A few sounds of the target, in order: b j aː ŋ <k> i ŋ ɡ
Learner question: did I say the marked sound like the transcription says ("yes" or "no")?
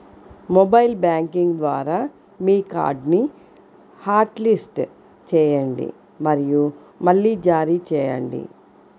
yes